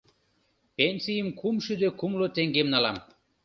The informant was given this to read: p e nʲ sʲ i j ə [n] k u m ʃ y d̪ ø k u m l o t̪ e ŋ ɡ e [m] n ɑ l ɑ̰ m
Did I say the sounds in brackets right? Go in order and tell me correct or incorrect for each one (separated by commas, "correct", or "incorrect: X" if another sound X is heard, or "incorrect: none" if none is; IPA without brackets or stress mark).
incorrect: m, correct